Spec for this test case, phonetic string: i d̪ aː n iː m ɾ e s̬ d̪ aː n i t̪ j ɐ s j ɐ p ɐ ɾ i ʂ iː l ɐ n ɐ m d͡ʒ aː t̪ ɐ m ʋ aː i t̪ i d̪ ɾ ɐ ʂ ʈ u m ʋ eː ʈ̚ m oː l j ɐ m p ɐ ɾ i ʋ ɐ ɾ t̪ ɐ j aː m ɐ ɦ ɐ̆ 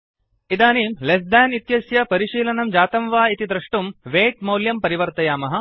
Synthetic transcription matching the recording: i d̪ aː n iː m l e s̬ d̪ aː n i t̪ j ɐ s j ɐ p ɐ ɾ i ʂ iː l ɐ n ɐ m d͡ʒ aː t̪ ɐ m ʋ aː i t̪ i d̪ ɾ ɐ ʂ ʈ u m ʋ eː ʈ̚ m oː l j ɐ m p ɐ ɾ i ʋ ɐ ɾ t̪ ɐ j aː m ɐ ɦ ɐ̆